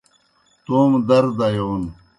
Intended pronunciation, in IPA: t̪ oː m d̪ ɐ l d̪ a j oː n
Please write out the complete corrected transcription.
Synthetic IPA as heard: t̪ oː m d̪ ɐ ɾ d̪ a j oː n